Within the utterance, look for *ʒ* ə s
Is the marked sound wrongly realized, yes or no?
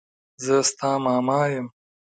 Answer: yes